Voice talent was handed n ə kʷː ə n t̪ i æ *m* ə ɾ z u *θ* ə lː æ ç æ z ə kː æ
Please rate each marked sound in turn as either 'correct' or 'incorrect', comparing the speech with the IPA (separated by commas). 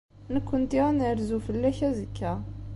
incorrect, incorrect